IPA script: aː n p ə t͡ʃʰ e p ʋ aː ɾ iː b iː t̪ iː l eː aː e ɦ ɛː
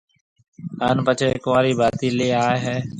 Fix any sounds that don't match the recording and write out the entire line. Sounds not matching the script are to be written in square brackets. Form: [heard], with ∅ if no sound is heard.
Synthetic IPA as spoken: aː n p ə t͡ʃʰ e [k] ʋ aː ɾ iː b [aː] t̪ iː l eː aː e ɦ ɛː